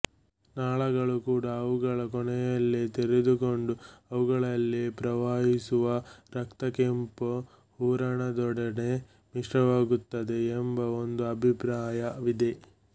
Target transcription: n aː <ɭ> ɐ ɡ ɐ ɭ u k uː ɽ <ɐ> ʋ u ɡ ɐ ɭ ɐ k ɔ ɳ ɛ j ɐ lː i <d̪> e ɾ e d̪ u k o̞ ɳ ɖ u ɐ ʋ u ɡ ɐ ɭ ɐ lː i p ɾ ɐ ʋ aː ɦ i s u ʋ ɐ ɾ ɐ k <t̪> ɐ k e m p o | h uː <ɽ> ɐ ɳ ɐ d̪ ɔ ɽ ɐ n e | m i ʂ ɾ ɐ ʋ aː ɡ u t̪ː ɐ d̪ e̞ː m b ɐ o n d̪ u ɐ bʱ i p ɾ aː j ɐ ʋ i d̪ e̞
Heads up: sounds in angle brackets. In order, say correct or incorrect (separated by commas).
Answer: correct, incorrect, incorrect, correct, incorrect